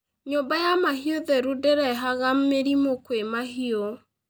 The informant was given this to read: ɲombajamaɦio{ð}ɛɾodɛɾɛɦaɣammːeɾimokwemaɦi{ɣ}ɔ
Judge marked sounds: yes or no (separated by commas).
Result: yes, no